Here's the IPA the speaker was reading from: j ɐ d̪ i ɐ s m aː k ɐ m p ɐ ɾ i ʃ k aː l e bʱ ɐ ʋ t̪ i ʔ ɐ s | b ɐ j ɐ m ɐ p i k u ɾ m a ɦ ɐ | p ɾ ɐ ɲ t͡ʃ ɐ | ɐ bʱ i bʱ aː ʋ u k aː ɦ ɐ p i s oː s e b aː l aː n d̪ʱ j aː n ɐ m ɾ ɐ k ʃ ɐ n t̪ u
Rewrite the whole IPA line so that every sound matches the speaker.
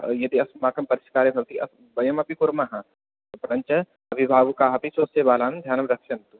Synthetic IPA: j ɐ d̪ i ɐ s m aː k ɐ m p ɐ ɾ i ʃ k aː ɾ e bʱ ɐ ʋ t̪ i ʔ ɐ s | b ɐ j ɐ m ɐ p i k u ɾ m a ɦ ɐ | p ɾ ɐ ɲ t͡ʃ ɐ | ɐ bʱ i bʱ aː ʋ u k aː ɦ ɐ p i s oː s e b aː l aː n d̪ʱ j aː n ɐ m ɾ ɐ k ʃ ɐ n t̪ u